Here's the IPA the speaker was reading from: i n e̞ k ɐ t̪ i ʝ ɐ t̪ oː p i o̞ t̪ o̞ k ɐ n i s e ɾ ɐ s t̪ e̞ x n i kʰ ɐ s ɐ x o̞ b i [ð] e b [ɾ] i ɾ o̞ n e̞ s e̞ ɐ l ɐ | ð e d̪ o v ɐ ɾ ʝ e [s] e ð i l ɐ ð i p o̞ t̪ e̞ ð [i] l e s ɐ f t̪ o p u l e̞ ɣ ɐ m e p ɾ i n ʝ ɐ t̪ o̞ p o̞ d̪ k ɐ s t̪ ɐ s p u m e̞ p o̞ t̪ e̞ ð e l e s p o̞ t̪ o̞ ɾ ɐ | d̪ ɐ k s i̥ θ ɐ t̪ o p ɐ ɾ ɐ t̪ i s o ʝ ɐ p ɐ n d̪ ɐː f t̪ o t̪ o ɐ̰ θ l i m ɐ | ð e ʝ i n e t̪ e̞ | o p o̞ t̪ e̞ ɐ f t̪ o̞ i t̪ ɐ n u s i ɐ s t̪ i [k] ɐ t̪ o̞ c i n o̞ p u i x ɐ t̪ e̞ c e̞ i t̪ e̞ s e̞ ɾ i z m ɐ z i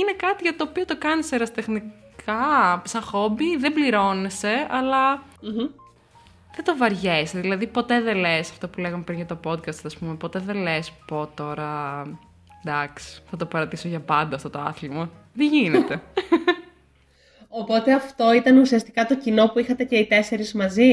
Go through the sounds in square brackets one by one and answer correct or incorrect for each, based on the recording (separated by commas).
correct, incorrect, correct, incorrect, correct